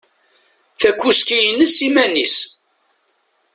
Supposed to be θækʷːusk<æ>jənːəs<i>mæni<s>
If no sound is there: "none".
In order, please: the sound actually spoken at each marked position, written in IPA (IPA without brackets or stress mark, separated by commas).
i, i, s